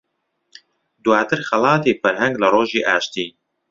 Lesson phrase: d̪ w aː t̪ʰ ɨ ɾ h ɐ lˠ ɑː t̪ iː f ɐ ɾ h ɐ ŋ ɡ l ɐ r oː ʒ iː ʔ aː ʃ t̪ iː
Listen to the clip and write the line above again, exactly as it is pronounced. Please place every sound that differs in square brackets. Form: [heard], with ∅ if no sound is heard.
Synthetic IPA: d̪ w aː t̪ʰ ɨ ɾ [x] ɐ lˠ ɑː t̪ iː f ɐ ɾ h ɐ ŋ ɡ l ɐ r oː ʒ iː ʔ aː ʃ t̪ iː